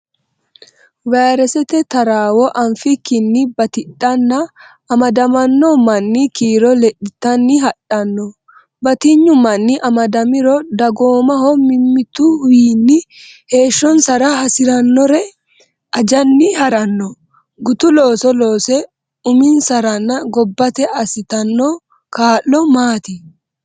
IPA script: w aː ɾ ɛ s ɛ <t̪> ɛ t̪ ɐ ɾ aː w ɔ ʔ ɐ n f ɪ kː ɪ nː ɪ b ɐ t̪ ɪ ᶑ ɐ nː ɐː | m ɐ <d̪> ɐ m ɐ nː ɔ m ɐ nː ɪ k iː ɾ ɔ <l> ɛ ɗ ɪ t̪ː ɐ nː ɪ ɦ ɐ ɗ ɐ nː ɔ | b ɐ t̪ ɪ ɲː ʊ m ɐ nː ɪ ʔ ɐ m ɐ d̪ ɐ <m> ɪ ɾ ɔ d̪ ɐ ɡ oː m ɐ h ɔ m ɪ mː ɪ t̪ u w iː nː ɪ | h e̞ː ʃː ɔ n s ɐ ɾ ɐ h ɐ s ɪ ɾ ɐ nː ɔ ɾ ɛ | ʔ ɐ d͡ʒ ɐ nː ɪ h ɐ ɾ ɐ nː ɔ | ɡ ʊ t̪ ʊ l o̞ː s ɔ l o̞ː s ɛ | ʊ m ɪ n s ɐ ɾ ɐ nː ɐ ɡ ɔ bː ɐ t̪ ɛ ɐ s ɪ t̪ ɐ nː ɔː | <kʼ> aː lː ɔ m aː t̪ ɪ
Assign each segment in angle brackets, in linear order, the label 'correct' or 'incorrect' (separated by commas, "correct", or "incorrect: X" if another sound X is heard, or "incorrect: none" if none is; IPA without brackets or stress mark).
correct, correct, correct, correct, incorrect: k